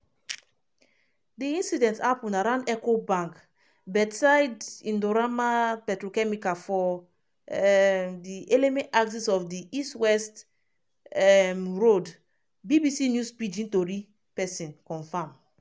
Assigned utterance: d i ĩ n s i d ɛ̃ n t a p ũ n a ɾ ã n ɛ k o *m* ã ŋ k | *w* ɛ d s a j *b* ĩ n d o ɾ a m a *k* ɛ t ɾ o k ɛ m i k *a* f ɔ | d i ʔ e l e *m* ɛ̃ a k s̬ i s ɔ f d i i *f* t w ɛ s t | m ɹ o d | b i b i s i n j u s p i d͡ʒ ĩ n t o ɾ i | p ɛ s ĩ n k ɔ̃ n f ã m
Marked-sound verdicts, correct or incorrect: incorrect, incorrect, incorrect, incorrect, correct, correct, incorrect

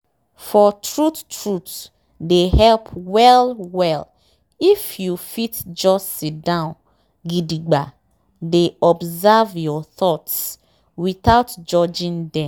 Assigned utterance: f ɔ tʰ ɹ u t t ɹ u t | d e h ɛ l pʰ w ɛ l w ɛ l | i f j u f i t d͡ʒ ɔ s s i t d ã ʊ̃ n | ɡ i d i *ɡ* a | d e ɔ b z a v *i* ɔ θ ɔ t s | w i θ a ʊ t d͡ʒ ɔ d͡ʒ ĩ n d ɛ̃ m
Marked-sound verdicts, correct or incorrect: incorrect, incorrect

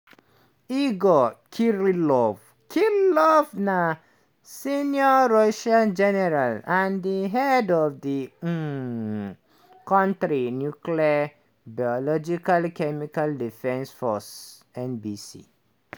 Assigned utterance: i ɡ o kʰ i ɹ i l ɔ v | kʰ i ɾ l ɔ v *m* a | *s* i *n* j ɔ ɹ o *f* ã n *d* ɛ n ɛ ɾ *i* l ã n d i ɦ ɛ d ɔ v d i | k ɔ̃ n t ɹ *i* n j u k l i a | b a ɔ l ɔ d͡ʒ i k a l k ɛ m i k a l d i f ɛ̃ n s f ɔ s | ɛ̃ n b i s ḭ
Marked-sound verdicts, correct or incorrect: incorrect, correct, correct, incorrect, incorrect, incorrect, correct

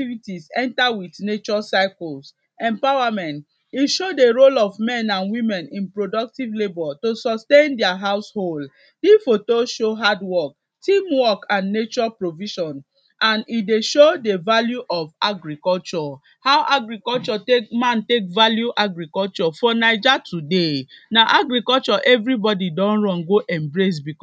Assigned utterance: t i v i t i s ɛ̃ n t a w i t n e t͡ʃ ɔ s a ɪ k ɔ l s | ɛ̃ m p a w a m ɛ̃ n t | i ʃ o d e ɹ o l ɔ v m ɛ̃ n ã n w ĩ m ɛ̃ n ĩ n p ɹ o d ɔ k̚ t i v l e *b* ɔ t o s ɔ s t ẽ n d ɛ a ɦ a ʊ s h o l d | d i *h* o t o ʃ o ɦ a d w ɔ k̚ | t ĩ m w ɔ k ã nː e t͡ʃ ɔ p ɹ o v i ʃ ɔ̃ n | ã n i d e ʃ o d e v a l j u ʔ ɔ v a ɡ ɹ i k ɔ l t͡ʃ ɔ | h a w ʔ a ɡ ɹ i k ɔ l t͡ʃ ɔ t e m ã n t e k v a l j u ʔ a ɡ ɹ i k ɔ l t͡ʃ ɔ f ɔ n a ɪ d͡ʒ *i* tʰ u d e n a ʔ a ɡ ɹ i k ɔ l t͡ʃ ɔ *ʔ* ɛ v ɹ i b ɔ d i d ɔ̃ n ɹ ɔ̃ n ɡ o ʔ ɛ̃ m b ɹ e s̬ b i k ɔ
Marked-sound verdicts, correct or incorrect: correct, incorrect, incorrect, correct

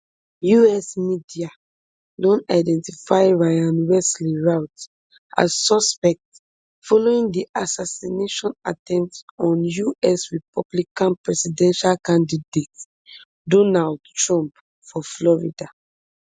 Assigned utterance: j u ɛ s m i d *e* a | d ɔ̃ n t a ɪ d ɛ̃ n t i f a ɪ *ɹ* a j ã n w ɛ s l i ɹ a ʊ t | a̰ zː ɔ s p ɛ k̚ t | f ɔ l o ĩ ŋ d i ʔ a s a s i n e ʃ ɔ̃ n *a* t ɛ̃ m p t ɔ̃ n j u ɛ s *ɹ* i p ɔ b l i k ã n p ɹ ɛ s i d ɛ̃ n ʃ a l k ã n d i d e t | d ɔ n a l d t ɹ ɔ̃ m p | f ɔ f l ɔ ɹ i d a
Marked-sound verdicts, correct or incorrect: incorrect, correct, correct, correct

